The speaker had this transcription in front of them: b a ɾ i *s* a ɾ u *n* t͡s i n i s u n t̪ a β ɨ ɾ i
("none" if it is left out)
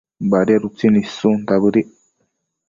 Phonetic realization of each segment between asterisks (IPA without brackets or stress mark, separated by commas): none, none